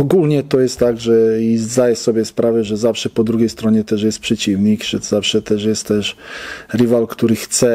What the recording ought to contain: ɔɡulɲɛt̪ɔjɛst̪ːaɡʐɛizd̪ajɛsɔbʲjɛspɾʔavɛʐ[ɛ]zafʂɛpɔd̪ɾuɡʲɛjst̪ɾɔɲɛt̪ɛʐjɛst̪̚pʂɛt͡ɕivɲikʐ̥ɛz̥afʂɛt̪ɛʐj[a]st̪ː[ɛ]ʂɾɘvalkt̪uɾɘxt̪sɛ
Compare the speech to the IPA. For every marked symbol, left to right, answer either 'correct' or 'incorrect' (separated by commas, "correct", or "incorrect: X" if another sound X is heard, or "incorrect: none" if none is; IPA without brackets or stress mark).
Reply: correct, incorrect: ɛ, correct